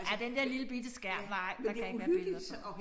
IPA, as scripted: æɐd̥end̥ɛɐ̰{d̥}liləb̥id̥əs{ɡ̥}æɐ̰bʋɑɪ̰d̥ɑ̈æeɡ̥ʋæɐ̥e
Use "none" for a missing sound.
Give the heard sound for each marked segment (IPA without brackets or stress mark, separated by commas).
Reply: none, ɡ̥